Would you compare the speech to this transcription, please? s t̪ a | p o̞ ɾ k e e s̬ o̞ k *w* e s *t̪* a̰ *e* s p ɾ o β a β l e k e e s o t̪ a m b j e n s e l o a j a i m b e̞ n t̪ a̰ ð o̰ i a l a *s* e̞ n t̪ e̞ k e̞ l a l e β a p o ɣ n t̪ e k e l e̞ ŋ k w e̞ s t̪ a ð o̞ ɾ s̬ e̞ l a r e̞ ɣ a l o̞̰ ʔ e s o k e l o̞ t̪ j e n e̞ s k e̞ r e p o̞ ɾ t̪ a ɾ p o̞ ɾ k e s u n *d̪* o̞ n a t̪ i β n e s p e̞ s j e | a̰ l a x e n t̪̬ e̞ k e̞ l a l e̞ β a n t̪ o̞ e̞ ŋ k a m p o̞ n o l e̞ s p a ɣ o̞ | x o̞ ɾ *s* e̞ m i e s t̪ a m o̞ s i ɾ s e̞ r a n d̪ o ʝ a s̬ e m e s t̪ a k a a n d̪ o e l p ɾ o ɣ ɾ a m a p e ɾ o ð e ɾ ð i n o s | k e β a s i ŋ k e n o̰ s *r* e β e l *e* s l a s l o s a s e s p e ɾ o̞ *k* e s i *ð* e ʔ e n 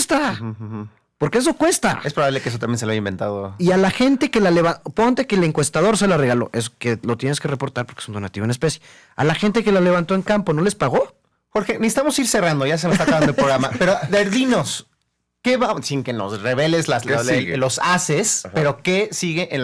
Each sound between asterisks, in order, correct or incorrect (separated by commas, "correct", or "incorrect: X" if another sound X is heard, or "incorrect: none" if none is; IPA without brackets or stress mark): correct, correct, correct, incorrect: x, correct, incorrect: x, correct, correct, correct, incorrect: ɣ